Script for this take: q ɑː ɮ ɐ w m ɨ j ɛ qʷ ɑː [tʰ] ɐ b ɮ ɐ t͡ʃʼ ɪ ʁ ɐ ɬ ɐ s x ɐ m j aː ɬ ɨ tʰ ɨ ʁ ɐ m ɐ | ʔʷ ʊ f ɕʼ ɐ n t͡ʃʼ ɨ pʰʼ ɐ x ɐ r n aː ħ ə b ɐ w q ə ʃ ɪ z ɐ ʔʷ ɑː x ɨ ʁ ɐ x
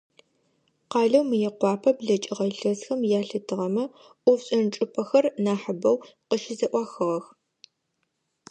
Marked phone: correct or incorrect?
incorrect